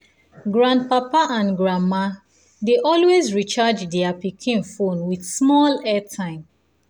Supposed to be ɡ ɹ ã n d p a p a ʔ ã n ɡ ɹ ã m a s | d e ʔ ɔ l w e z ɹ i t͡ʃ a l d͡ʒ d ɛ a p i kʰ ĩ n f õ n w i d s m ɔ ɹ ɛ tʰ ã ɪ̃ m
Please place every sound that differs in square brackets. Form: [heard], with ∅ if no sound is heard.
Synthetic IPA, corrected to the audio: ɡ ɹ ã n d p a p a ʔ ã n ɡ ɹ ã m a [∅] | d e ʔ ɔ l w e z ɹ i t͡ʃ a [∅] d͡ʒ d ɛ a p i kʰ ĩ n f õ n w i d s m ɔ [l] ɛ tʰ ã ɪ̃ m